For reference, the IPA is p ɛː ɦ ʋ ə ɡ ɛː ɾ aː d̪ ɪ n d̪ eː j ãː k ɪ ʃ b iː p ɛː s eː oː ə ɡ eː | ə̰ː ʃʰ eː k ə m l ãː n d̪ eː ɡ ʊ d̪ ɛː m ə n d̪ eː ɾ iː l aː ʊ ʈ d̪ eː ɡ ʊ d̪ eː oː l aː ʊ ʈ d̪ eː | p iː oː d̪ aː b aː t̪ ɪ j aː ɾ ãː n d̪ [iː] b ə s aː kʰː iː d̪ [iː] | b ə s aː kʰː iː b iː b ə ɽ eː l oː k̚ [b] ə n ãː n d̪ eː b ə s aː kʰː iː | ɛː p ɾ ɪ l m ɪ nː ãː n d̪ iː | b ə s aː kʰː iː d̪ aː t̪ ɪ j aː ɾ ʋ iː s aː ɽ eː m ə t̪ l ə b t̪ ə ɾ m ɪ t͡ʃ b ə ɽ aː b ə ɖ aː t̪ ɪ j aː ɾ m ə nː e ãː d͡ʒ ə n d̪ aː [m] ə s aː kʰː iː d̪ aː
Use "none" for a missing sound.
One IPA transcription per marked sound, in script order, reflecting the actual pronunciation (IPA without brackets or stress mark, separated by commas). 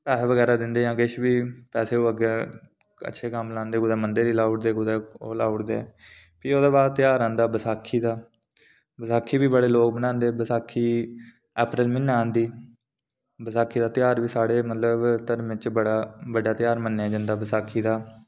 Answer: aː, aː, b, b